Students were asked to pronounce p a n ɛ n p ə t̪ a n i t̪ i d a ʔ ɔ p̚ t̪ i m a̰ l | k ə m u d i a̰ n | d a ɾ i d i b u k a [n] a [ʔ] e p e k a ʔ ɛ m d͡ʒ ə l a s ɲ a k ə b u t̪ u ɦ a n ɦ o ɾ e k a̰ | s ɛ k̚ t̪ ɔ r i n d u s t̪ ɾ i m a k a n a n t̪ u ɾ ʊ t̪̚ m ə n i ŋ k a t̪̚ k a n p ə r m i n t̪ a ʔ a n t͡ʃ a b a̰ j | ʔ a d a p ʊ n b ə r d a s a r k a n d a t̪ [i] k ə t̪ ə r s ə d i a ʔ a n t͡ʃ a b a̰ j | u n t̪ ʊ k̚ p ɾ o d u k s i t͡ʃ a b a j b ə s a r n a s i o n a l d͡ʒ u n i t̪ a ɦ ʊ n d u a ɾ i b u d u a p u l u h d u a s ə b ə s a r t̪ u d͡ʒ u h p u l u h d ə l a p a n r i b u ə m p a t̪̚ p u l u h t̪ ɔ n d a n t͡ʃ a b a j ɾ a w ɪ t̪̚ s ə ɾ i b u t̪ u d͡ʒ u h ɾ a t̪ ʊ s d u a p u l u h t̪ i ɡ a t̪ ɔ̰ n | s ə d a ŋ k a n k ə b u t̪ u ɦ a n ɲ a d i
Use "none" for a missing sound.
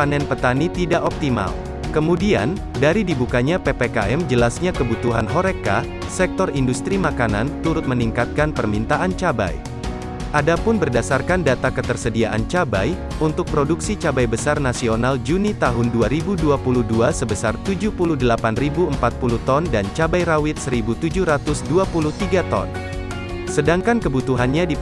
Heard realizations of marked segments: ɲ, p, a

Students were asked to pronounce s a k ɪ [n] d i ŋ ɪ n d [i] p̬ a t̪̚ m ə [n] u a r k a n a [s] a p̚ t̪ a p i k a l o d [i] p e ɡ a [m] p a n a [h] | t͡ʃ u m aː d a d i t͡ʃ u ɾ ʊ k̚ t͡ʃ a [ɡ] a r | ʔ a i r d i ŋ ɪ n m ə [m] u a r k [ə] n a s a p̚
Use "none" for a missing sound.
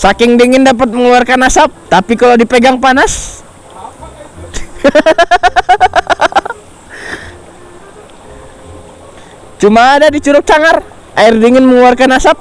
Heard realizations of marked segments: ŋ, a, ŋ, s, i, ŋ, s, ŋ, ŋ, a

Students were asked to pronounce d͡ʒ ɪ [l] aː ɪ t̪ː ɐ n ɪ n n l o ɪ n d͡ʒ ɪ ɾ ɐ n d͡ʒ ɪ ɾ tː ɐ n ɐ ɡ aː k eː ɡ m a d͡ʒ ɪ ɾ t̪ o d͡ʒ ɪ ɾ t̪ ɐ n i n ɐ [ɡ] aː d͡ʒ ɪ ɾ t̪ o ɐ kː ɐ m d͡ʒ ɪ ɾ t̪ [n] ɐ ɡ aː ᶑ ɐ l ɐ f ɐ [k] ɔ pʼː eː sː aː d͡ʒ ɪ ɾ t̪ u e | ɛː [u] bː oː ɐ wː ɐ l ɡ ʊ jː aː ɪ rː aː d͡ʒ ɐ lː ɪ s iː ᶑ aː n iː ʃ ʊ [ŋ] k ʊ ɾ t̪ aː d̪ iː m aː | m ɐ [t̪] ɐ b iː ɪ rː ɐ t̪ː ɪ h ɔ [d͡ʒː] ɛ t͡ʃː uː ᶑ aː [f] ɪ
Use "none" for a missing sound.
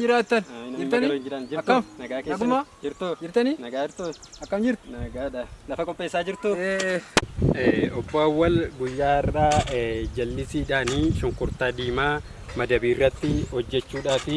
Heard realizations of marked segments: ɾ, ɡ, n, kʼ, ɔ, ŋ, d̪, d͡ʒː, f

